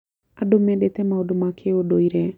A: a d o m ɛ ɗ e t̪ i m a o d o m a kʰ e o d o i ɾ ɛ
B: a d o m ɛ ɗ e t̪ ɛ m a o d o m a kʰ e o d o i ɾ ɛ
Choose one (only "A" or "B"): B